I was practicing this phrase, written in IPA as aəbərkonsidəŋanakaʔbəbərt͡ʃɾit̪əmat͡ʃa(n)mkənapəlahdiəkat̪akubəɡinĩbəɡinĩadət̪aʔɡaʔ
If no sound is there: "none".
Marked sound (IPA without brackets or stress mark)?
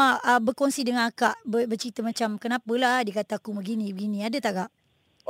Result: none